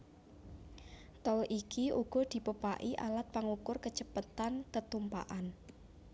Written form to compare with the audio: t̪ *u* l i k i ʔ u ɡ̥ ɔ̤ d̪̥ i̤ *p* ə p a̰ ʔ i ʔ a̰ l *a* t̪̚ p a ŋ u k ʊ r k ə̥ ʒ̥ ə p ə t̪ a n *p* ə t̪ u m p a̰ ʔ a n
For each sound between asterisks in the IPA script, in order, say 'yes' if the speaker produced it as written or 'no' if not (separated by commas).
no, yes, yes, no